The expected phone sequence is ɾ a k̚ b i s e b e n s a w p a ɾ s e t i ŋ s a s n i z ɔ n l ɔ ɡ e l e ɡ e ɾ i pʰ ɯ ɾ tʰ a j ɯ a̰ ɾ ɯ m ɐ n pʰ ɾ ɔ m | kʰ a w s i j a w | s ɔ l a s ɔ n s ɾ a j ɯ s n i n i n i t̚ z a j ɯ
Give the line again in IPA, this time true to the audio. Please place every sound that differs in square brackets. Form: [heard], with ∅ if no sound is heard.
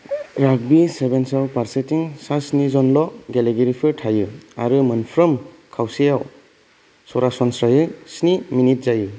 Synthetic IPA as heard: ɾ a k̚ b i s e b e n s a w p a ɾ s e t i ŋ s a s n i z ɔ n l ɔ ɡ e l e ɡ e ɾ i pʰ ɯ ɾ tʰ a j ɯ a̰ ɾ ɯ m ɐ n pʰ ɾ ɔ m | kʰ a w s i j a w | s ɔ [ɾ] a s ɔ n s ɾ a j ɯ s n i [m] i n i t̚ z a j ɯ